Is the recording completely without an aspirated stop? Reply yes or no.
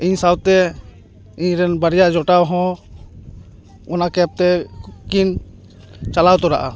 yes